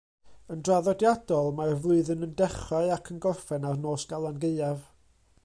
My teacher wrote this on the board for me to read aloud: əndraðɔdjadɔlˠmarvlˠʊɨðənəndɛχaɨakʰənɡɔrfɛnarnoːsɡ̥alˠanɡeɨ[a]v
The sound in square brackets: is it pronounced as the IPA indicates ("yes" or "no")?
yes